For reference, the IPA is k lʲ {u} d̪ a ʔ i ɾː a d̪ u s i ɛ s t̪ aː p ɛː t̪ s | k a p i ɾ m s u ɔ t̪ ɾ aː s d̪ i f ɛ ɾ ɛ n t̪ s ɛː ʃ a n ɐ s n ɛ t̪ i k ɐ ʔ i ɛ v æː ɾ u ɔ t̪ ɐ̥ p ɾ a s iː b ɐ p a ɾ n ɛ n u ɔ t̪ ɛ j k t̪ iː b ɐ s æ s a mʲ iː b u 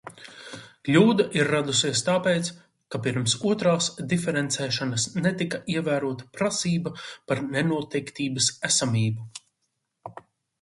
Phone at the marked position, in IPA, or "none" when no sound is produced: uː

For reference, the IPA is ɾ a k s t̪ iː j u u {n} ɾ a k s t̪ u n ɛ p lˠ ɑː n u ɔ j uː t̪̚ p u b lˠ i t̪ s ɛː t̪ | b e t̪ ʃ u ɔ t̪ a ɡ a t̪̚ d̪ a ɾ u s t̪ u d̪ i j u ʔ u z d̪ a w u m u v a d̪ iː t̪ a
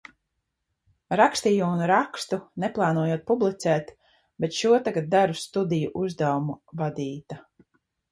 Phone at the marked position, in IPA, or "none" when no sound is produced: n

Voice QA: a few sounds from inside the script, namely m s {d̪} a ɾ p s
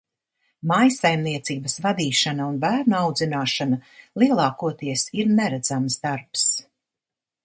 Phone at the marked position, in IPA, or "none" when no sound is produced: d̪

